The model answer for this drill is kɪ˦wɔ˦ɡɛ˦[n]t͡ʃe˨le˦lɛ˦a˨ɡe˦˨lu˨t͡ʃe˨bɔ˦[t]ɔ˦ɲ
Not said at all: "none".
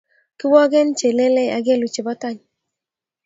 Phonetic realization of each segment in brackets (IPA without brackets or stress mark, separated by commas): n, t